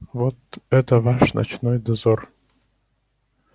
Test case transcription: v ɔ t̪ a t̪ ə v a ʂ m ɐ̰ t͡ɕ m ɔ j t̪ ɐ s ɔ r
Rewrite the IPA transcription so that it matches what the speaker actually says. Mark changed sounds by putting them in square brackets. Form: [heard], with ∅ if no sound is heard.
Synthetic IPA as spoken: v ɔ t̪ [ɛ] t̪ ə v a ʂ [n] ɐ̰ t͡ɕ [n] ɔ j [d̪] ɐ [z] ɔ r